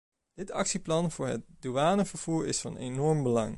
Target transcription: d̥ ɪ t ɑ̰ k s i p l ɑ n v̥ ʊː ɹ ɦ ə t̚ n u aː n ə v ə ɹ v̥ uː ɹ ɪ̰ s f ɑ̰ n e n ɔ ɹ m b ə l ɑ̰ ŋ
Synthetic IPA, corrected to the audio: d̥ ɪ t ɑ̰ k s i p l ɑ n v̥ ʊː ɹ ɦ ə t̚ d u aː n ə v ə ɹ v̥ uː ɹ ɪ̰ s f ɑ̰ n e n ɔ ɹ m b ə l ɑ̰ ŋ